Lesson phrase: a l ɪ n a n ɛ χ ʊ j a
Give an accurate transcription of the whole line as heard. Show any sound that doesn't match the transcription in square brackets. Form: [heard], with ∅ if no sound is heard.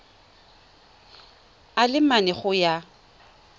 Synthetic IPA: a l ɪ [m] a n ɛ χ ʊ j a